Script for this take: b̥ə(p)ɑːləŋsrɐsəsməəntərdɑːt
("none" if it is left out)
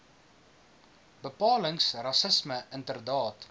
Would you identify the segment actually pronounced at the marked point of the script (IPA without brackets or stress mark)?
p